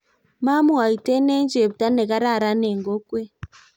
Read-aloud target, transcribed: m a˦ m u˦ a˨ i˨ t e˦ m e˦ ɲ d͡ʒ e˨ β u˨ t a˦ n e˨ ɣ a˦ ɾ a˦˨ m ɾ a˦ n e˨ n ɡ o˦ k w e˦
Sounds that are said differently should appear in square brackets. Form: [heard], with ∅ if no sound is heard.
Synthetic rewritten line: m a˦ m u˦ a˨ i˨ t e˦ [n] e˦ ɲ d͡ʒ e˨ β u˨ t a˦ n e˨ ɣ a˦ ɾ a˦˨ [∅] ɾ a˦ n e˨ [ŋ] ɡ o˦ k w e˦